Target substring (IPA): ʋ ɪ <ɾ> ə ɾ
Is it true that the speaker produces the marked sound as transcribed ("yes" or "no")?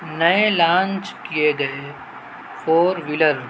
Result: no